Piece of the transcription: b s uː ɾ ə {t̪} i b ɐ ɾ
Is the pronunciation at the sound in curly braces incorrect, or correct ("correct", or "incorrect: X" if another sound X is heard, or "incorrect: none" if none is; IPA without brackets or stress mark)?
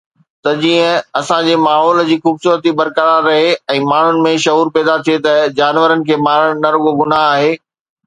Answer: correct